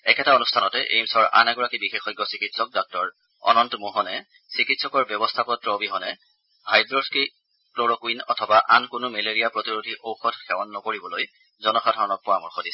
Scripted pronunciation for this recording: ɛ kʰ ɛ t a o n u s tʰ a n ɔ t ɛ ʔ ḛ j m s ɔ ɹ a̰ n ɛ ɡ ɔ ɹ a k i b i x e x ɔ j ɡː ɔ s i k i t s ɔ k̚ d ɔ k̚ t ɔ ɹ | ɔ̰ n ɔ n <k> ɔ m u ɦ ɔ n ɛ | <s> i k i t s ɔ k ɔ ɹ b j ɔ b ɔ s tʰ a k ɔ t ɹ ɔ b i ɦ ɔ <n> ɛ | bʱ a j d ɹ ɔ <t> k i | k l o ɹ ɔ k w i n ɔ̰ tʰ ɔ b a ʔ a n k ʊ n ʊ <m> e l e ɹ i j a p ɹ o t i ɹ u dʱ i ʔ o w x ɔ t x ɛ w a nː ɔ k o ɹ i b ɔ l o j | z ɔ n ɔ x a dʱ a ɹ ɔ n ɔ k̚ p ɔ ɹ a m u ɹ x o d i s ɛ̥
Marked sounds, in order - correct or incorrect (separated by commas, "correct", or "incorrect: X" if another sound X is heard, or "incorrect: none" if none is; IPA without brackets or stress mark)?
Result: incorrect: t, correct, correct, incorrect: s, correct